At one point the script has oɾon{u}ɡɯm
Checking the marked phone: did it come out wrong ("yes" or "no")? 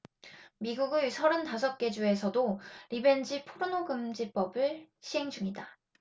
yes